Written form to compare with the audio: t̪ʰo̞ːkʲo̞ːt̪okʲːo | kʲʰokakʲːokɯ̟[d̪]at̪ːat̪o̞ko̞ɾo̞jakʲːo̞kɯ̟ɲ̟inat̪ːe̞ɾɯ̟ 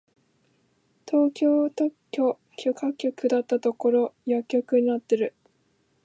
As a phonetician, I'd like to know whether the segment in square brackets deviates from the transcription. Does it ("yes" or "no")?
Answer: no